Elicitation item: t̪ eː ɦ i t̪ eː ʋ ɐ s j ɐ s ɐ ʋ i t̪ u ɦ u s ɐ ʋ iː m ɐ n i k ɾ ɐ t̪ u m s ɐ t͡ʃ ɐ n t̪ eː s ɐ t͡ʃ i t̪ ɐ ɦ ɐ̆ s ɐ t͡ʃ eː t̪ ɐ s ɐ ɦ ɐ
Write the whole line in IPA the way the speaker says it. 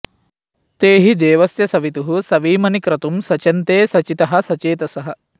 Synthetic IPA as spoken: t̪ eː ɦ i d̪ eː ʋ ɐ s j ɐ s ɐ ʋ i t̪ u ɦ u s ɐ ʋ iː m ɐ n i k ɾ ɐ t̪ u m s ɐ t͡ʃ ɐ n t̪ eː s ɐ t͡ʃ i t̪ ɐ ɦ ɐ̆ s ɐ t͡ʃ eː t̪ ɐ s ɐ ɦ ɐ